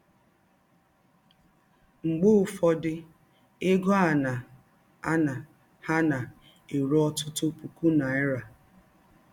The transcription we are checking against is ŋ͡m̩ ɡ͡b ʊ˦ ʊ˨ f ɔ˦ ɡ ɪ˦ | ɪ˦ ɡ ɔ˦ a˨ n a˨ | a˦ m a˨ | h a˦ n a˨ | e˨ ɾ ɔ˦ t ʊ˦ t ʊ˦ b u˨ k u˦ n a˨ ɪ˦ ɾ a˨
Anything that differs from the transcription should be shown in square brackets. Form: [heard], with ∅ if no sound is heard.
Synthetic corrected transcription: ŋ͡m̩ ɡ͡b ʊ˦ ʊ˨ f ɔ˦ [d] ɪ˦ | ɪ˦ ɡ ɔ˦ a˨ n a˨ | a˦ [n] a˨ | h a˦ n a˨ | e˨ ɾ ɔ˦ t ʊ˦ t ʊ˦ [p] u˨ k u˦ n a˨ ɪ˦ ɾ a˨